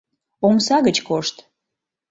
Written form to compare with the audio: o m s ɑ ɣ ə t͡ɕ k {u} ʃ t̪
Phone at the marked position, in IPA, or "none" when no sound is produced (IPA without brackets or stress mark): o